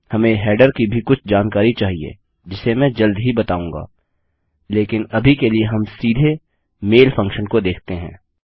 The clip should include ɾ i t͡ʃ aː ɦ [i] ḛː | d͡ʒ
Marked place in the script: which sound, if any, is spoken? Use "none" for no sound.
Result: i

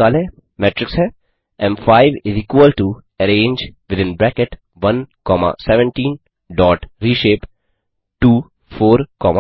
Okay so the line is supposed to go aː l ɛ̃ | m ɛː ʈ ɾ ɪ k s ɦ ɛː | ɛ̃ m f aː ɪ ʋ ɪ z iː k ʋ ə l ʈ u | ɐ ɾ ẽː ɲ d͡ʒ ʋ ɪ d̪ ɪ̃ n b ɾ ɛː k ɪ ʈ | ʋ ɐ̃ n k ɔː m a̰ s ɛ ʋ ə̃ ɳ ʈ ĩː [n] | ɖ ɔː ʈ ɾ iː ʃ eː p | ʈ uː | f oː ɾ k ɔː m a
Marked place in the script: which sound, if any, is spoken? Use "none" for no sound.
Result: n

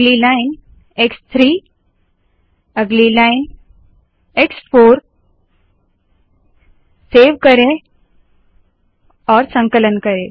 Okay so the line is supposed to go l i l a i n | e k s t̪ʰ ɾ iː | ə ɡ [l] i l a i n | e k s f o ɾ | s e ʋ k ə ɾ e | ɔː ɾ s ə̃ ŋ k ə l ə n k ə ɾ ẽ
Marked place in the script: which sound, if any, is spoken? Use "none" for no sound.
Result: l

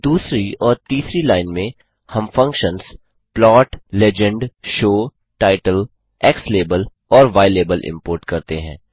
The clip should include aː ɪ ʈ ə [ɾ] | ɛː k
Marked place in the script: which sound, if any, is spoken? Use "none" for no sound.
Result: l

